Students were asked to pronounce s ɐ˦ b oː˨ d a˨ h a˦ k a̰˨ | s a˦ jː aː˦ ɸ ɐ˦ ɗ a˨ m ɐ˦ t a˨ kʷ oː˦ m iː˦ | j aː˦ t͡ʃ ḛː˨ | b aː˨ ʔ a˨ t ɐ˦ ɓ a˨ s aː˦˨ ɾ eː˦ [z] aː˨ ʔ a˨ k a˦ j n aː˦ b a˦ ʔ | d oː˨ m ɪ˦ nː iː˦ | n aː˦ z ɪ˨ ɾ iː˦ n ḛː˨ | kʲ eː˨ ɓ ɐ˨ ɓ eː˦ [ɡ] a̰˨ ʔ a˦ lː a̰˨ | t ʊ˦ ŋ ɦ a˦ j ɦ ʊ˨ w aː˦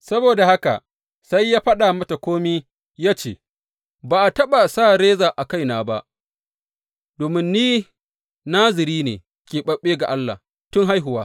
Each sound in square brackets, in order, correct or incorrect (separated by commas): correct, correct